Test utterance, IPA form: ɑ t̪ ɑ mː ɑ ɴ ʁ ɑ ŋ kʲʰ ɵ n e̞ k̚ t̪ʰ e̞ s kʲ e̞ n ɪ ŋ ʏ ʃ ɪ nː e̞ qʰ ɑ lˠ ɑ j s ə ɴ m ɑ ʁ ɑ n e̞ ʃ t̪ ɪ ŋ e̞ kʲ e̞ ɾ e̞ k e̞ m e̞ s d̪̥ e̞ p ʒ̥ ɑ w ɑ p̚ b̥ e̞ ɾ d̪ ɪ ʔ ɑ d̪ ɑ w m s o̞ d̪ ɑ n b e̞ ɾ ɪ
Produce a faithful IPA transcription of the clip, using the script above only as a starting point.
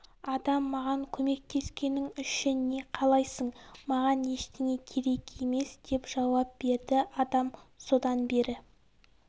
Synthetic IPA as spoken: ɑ d̪ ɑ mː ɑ ʁ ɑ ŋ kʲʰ ɵ m e̞ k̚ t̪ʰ e̞ s kʲ e̞ n ɪ ŋ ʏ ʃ ɪ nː e̞ qʰ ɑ lˠ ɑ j s ə ɴ m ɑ ʁ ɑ n e̞ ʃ t̪ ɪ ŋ e̞ kʲʰ e̞ ɾ e̞ k e̞ m e̞ s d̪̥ e̞ p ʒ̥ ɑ w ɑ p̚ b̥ e̞ ɾ d̪ ɪ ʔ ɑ d̪ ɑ m s o̞ d̪ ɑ n b e̞ ɾ ɪ